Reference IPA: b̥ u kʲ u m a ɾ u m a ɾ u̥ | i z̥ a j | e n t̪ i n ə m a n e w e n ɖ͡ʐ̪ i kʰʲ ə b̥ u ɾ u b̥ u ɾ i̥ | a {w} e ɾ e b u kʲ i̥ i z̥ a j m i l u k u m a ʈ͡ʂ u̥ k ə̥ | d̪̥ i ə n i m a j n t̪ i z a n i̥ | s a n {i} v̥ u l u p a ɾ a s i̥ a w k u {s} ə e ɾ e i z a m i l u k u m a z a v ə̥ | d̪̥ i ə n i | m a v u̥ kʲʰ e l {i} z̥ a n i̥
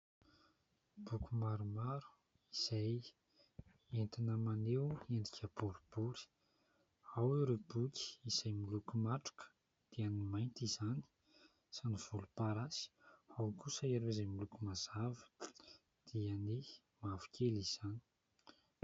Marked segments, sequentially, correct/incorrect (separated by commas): correct, correct, correct, correct